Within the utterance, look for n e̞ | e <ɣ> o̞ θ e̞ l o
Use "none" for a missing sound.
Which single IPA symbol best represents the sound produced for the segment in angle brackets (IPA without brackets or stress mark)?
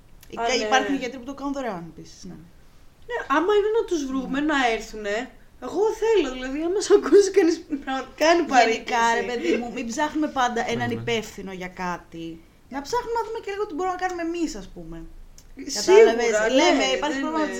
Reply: ɣ